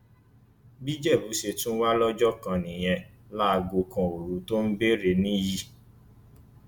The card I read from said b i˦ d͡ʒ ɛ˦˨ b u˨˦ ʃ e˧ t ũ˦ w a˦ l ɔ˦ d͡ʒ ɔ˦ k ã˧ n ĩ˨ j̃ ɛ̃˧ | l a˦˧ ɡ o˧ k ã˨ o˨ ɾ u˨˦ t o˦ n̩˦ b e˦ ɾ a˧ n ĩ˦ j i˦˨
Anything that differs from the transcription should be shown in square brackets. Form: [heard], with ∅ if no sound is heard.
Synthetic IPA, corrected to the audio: b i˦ d͡ʒ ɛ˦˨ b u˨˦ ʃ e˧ t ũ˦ w a˦ l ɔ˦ d͡ʒ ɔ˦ k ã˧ n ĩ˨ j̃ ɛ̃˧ | l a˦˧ ɡ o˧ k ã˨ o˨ ɾ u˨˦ t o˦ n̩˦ b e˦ ɾ [e˧] n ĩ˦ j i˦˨

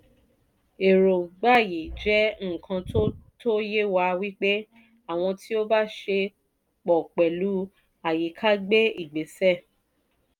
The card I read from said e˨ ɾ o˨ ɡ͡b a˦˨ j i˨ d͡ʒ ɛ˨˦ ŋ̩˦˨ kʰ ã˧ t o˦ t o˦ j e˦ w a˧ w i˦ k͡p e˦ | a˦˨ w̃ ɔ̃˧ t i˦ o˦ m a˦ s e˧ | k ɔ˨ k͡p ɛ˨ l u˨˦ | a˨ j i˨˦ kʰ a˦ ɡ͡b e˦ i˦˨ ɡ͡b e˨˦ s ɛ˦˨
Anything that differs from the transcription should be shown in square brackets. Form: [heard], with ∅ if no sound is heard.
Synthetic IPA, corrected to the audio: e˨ ɾ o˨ ɡ͡b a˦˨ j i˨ d͡ʒ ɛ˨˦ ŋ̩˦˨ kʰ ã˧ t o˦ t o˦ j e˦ w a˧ w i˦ k͡p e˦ | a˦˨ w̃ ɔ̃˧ t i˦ o˦ [b] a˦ [ʃ] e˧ | [k͡p] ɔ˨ k͡p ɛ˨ l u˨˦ | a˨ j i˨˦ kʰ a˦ ɡ͡b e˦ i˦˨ ɡ͡b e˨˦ s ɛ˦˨

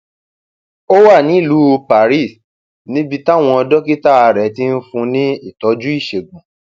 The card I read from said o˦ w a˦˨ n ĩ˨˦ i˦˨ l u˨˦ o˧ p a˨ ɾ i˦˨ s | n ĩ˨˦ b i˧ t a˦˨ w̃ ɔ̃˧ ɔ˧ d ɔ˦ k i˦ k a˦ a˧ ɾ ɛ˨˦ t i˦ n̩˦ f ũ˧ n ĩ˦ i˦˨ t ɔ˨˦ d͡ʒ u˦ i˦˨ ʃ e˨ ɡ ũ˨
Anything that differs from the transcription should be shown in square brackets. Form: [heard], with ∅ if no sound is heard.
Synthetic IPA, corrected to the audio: o˦ w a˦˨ n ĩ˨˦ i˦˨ l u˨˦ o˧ p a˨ ɾ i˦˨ s | n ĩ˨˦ b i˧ t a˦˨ w̃ ɔ̃˧ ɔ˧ d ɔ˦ k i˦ [t] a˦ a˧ ɾ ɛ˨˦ t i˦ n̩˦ f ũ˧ n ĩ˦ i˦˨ t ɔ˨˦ d͡ʒ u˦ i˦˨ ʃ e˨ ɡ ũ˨

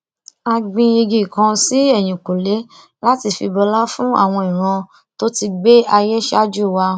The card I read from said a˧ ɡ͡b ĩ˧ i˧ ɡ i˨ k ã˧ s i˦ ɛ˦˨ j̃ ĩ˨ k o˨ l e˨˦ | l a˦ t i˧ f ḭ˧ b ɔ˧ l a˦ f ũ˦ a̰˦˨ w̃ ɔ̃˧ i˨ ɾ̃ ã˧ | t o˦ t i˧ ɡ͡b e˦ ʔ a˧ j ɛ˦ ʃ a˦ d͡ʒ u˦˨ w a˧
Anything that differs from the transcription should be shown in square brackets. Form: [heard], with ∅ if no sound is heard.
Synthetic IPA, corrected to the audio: a˧ ɡ͡b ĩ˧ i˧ ɡ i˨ k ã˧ s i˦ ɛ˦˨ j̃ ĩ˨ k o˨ l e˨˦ | l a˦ t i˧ f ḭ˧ b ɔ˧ l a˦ f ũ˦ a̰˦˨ w̃ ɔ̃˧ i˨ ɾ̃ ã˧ | t o˦ t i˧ ɡ͡b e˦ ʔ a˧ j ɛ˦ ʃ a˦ d͡ʒ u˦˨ w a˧

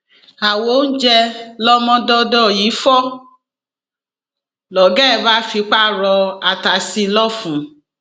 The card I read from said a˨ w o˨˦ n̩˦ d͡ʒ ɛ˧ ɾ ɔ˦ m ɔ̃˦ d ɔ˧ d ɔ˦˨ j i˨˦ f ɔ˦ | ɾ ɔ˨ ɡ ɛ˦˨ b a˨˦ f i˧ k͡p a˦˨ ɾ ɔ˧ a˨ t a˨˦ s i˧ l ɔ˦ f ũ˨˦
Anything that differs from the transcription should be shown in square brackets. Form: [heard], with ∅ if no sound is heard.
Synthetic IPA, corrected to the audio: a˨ w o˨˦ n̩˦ d͡ʒ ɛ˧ [l] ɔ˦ m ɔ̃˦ d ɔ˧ d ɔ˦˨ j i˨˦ f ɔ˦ | [l] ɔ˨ ɡ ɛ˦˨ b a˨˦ f i˧ k͡p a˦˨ ɾ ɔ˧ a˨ t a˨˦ s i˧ l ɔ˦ f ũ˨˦

